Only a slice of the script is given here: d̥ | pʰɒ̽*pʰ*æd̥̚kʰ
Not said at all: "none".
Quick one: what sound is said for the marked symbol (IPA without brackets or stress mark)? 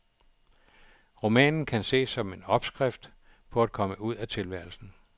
none